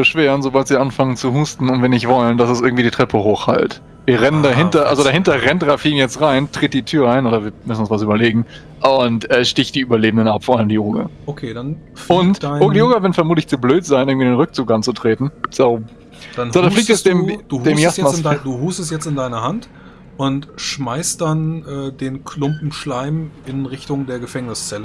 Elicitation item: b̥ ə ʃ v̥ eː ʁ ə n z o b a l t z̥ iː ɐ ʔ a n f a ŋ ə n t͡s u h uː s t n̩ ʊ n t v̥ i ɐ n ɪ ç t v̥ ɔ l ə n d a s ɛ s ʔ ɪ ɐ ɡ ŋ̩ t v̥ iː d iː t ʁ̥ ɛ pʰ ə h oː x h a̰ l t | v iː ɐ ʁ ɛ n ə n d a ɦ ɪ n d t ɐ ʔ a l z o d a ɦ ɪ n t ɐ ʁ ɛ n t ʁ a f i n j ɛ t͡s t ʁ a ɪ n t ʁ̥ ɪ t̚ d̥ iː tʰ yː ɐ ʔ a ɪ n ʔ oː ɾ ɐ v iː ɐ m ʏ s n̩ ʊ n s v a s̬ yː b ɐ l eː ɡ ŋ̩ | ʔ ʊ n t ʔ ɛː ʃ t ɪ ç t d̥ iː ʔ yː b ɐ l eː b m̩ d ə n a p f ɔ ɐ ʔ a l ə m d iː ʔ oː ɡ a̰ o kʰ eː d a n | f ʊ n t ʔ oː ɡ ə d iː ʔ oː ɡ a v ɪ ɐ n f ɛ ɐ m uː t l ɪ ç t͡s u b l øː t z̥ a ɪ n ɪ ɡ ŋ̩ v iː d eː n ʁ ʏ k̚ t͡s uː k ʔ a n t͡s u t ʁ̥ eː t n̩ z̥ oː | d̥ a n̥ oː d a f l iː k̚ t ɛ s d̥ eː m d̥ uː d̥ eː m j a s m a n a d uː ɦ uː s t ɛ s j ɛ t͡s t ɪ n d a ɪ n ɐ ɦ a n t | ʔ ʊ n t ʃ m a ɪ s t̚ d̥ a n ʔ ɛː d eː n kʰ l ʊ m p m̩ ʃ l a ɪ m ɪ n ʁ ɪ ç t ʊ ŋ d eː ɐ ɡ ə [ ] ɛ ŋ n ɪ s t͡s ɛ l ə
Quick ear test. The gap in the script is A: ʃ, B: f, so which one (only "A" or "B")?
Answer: B